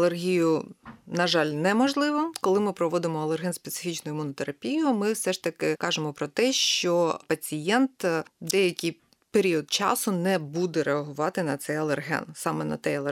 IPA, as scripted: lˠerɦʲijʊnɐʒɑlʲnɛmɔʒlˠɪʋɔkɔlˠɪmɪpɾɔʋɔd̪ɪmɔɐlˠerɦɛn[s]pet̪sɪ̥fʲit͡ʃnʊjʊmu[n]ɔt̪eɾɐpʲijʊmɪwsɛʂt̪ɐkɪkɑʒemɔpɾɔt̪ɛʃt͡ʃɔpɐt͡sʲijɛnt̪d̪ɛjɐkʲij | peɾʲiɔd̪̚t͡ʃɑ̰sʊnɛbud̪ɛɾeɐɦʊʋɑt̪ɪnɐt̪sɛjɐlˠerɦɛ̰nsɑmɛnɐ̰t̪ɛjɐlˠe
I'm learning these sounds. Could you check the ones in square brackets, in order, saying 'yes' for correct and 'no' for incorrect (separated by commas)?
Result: yes, yes